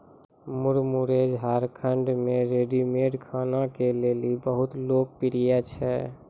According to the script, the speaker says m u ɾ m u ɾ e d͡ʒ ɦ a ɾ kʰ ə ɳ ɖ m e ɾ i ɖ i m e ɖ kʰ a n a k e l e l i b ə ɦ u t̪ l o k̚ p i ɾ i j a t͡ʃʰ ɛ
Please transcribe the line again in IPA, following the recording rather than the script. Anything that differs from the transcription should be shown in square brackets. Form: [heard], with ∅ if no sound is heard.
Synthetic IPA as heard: m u ɾ m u ɾ e d͡ʒ ɦ a ɾ kʰ ə ɳ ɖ m e ɾ [e] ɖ i m e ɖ kʰ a n a k e l e l i b ə ɦ u t̪ l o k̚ p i ɾ i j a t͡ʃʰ ɛ